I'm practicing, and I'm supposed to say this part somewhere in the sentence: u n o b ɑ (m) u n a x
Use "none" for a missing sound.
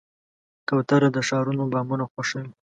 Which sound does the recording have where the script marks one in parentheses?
m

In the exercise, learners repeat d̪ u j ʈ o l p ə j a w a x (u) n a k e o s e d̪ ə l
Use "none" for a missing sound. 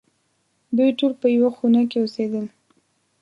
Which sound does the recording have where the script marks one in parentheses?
u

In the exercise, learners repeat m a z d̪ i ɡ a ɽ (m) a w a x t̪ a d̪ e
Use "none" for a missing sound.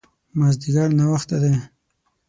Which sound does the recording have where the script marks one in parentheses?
n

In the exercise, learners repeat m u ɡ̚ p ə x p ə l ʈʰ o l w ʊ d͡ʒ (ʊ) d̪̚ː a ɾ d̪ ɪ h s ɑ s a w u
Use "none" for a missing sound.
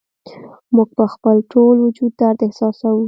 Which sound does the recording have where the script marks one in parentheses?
u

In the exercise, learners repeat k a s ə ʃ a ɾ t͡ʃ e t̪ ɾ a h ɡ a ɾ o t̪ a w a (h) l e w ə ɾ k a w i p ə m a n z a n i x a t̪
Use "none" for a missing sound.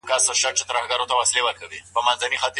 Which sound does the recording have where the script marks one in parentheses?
s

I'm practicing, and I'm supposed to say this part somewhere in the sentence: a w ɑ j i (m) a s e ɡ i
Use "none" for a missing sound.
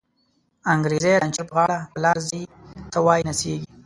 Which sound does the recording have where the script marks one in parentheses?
n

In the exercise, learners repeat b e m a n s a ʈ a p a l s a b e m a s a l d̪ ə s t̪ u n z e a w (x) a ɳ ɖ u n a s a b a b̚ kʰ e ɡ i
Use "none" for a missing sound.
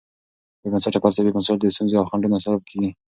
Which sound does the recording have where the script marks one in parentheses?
x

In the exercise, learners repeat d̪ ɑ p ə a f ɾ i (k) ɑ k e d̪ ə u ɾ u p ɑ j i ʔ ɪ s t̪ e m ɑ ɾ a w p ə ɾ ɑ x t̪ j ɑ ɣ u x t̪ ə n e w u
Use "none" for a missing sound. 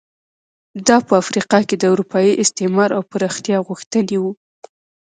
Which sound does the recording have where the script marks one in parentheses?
q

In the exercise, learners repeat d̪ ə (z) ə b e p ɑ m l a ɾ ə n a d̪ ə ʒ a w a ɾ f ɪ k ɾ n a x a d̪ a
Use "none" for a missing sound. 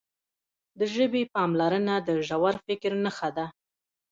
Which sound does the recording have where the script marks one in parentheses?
ʒ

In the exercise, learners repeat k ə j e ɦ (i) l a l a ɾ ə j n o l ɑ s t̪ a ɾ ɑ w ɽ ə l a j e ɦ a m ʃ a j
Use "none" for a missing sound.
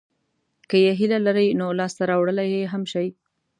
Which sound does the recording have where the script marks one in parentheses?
i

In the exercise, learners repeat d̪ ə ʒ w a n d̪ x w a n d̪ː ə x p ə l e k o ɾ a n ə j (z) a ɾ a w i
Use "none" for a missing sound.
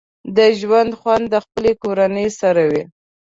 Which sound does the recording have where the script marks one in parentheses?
s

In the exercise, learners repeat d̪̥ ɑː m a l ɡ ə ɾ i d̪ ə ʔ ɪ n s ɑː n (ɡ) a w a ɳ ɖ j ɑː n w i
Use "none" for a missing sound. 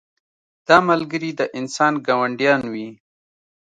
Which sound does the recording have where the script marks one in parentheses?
ɡ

